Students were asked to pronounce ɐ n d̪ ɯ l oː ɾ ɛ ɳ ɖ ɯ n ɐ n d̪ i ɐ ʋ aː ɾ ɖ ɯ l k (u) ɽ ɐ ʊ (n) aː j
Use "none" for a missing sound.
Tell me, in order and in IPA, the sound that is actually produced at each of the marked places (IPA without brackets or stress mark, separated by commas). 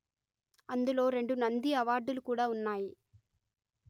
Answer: uː, nː